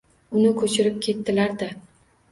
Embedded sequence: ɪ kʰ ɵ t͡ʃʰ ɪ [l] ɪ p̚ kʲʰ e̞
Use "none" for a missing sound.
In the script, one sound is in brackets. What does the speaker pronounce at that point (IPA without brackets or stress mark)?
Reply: ɾ